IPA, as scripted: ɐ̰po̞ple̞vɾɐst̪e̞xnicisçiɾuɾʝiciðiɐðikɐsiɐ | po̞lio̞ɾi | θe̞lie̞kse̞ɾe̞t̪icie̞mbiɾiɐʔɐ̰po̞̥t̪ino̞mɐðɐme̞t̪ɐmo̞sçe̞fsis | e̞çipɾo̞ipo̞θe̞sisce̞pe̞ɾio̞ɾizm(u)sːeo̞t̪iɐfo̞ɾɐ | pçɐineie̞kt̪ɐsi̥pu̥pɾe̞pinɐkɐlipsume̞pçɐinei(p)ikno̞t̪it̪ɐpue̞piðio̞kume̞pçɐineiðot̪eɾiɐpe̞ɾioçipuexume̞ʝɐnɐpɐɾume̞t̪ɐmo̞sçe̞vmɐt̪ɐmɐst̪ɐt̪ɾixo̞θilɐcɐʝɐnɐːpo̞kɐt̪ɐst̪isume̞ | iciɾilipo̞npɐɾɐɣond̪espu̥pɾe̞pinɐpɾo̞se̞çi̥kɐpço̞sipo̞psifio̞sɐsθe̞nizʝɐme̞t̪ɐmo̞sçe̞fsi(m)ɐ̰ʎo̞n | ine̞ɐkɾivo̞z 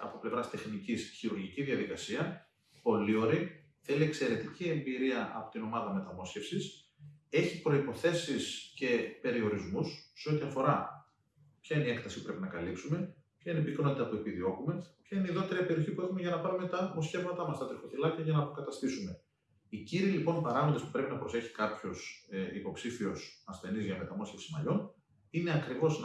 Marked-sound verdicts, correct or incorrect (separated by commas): correct, correct, correct